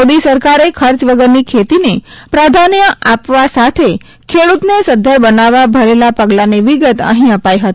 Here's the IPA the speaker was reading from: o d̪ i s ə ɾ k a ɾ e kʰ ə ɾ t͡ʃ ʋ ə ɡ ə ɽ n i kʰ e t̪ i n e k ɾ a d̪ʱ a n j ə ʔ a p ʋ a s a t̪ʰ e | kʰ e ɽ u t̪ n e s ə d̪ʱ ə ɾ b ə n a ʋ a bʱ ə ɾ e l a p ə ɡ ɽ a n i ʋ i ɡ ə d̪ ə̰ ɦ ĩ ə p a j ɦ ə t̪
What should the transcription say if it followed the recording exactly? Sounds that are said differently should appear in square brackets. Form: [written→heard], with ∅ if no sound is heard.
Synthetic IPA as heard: o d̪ i s ə ɾ k a ɾ e kʰ ə ɾ t͡ʃ ʋ ə ɡ ə [ɽ→ɾ] n i kʰ e t̪ i n e [k→p] ɾ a d̪ʱ a n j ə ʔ a p ʋ a s a t̪ʰ e | kʰ e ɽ u t̪ n e s ə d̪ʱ ə ɾ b ə n a ʋ a bʱ ə ɾ e l a p ə ɡ [ɽ→l] a n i ʋ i ɡ ə [d̪→t̪] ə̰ ɦ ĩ ə p a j ɦ ə t̪

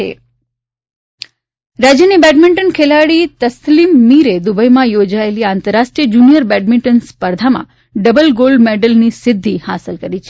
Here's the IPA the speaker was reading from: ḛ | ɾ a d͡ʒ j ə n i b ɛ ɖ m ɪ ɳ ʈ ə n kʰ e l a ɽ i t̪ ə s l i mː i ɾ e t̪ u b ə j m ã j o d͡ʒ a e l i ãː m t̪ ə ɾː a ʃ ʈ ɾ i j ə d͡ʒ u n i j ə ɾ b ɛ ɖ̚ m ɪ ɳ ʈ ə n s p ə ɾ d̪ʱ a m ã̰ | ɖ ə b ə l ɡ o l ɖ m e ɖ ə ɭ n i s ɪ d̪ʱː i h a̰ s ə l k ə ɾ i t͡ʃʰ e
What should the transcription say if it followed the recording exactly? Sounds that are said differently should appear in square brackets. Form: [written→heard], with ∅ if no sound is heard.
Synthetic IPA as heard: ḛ | ɾ a d͡ʒ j ə n i b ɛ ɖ m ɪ ɳ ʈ ə n kʰ e l a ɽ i t̪ ə s l i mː i ɾ e [t̪→d̪] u b ə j m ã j o d͡ʒ a e l i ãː [m→n] t̪ ə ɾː a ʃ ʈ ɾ i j ə d͡ʒ u n i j ə ɾ b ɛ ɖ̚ m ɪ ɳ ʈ ə n s p ə ɾ d̪ʱ a m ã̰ | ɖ ə b ə l ɡ o l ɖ m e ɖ ə [ɭ→l] n i s ɪ d̪ʱː i h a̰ s ə l k ə ɾ i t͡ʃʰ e

